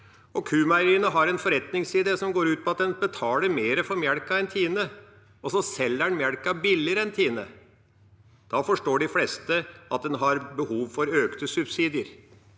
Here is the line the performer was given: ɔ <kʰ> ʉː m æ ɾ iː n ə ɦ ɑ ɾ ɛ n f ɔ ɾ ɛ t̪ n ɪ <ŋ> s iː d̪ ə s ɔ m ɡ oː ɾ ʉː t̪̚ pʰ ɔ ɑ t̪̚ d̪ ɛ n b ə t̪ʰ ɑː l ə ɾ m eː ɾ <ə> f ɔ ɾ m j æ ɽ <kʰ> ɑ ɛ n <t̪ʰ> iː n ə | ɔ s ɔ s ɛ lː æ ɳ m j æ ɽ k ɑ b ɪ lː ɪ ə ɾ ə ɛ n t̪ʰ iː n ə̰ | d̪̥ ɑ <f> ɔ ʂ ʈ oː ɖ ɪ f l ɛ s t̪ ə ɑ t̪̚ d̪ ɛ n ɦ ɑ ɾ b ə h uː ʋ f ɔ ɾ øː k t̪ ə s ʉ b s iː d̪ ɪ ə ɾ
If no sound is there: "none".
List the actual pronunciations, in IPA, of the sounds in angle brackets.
kʰ, ŋ, ə, k, t̪ʰ, f

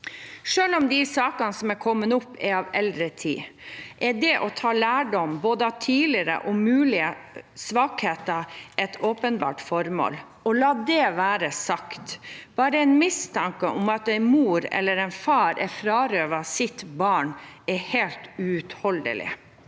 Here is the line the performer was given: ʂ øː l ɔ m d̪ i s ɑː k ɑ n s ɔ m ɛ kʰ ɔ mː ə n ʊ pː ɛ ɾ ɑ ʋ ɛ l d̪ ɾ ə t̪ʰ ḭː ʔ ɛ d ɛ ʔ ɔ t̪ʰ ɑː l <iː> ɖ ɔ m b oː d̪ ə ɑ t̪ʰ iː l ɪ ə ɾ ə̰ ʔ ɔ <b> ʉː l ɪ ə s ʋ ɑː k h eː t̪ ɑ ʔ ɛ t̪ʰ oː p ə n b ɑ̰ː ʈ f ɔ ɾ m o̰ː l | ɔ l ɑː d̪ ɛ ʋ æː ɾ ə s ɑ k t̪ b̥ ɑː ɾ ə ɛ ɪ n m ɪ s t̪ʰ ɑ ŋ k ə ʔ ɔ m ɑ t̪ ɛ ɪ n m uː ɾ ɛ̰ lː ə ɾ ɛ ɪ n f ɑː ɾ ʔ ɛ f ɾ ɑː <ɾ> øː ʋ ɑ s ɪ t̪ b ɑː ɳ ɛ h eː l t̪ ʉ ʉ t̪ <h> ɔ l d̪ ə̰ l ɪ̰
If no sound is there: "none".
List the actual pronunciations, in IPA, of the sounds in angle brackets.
æː, m, ɾ, h

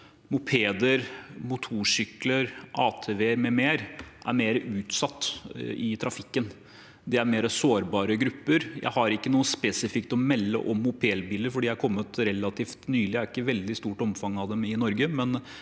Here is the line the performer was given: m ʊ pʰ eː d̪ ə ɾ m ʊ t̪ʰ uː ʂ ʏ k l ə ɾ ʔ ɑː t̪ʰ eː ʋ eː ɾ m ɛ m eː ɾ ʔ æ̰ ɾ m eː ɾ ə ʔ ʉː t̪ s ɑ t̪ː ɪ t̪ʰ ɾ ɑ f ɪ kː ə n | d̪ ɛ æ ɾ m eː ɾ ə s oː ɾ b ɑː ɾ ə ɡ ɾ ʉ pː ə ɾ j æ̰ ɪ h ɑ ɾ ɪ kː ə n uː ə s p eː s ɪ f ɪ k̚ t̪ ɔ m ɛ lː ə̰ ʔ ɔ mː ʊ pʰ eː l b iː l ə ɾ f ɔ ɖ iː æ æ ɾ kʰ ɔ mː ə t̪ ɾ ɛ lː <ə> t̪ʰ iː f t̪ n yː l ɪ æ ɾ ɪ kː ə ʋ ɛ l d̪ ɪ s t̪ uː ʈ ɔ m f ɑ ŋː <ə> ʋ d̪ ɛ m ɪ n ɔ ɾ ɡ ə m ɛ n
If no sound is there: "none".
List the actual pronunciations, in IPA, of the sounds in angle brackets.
ɑ, ɑ

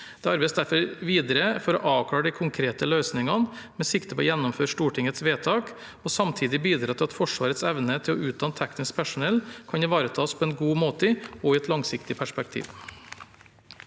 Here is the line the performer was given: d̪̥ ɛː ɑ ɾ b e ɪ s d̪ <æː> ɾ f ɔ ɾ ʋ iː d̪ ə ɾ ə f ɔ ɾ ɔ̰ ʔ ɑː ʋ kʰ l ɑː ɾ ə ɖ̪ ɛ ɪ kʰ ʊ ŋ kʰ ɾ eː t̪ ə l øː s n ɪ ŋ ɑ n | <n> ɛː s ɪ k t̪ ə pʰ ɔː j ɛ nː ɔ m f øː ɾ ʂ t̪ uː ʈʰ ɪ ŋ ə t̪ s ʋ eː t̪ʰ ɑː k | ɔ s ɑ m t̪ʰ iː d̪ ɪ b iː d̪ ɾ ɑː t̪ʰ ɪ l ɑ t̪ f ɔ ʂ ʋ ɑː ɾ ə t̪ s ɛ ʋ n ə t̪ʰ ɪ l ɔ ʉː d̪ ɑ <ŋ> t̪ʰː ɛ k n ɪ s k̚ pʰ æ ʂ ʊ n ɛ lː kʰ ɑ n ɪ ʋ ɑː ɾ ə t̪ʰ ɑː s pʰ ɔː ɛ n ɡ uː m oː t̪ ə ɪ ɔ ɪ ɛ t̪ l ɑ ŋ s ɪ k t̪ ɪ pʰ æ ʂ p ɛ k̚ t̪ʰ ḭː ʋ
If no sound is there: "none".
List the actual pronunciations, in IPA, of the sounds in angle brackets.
æ, m, n

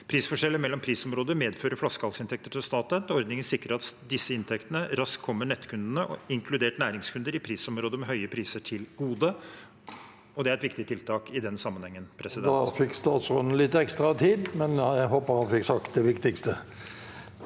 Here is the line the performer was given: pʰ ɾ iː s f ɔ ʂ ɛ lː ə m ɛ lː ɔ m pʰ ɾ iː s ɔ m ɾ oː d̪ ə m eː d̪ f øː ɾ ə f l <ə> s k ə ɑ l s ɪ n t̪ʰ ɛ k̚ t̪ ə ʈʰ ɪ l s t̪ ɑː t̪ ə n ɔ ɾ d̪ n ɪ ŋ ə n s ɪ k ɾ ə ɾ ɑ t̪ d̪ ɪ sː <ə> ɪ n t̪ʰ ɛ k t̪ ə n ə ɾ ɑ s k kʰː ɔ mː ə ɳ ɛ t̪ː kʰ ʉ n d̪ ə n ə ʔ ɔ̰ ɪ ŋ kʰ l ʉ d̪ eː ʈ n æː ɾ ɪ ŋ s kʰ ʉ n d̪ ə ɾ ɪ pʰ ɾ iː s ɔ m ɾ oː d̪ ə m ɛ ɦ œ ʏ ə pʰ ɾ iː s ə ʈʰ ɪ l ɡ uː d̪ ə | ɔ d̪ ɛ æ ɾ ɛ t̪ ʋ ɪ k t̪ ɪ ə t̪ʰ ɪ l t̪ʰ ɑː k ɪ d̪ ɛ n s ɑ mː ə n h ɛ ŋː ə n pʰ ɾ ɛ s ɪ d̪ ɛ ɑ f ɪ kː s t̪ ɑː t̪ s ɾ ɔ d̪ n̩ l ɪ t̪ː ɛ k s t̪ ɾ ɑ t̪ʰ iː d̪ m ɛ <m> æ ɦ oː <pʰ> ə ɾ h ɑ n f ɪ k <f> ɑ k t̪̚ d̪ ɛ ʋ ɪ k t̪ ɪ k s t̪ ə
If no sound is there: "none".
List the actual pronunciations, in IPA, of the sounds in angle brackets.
ɑ, ə, n, p, s

